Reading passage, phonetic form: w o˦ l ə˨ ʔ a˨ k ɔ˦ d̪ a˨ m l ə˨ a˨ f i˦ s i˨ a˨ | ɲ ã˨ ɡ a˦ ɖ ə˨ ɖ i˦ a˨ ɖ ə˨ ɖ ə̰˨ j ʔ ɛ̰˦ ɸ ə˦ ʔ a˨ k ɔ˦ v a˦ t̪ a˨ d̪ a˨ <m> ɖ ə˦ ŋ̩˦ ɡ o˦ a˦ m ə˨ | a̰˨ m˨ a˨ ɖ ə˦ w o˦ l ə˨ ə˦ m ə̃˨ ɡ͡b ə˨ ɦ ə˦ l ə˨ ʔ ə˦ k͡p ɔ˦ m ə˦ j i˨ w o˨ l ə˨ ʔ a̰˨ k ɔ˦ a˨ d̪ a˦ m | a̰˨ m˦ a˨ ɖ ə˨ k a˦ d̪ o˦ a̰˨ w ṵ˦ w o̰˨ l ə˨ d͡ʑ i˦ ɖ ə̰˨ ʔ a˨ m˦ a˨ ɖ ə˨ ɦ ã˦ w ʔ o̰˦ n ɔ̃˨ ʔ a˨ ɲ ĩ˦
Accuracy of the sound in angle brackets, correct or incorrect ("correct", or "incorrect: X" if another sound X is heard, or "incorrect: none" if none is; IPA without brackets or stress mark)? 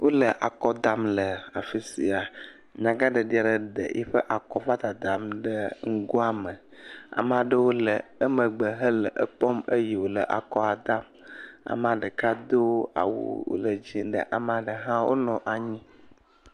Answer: correct